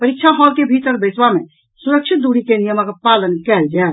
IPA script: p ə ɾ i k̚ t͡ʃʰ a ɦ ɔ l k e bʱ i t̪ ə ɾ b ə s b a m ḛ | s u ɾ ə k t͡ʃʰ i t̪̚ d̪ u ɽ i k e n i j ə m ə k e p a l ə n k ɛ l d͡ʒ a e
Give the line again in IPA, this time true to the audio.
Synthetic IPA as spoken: p ə ɾ i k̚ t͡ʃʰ a ɦ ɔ l k e bʱ i t̪ ə ɾ b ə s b a m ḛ | s u ɾ ə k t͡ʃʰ i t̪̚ d̪ u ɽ i k e n i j ə m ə k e p a l ə n k ɛ l d͡ʒ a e